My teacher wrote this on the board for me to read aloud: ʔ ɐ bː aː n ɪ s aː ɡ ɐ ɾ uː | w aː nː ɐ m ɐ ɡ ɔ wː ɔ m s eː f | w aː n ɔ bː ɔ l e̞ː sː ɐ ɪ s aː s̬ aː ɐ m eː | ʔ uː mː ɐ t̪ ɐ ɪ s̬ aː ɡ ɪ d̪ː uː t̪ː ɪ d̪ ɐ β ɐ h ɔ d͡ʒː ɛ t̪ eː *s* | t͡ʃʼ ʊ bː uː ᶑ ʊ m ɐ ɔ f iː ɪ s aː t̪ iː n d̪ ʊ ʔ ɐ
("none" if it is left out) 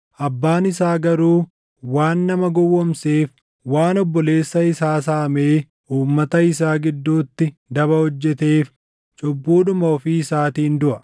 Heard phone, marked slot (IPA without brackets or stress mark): f